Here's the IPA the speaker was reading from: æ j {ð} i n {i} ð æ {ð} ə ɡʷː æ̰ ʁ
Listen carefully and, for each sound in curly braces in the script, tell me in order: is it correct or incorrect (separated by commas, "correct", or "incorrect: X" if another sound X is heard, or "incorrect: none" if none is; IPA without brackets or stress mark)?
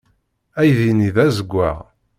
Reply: correct, correct, incorrect: z